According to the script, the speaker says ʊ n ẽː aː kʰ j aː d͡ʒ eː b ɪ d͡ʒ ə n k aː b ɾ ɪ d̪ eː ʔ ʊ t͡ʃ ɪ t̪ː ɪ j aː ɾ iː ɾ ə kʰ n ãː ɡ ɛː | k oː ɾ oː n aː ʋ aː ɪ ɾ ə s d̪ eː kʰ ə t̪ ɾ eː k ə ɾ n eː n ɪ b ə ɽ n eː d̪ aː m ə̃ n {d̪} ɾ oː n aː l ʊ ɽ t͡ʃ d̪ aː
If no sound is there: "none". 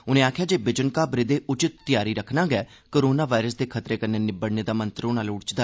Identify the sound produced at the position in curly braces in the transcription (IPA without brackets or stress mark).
t̪